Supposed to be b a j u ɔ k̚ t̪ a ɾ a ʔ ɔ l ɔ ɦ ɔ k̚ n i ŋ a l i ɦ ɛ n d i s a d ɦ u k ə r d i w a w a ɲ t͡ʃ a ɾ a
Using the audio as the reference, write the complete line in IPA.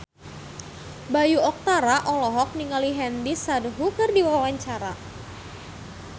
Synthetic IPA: b a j u ɔ k̚ t̪ a ɾ a ʔ ɔ l ɔ ɦ ɔ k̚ n i ŋ a l i ɦ ɛ n d i s a d ɦ u k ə r d i w a w a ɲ t͡ʃ a ɾ a